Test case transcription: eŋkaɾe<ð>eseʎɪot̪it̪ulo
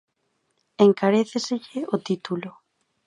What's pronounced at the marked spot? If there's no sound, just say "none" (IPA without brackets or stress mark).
θ